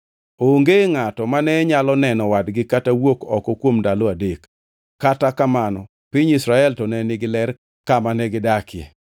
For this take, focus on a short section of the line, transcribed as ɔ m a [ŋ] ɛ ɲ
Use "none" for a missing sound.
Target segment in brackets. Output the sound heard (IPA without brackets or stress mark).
n